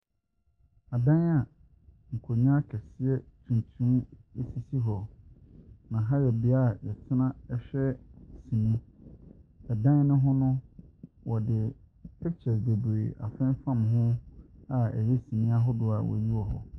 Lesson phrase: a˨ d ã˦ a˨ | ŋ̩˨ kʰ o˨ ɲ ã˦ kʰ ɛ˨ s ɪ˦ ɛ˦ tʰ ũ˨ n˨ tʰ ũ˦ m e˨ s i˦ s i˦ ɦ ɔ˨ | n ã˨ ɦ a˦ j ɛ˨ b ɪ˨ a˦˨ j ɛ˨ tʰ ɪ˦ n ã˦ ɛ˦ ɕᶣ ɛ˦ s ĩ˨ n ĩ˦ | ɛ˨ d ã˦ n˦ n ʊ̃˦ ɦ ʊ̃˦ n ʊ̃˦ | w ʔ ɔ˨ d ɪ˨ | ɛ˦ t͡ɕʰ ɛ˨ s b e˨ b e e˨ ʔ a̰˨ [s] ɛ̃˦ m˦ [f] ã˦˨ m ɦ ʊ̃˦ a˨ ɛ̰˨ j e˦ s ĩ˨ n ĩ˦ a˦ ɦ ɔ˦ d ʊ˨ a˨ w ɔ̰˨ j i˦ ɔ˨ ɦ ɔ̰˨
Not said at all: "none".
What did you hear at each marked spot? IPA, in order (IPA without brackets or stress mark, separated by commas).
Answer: f, f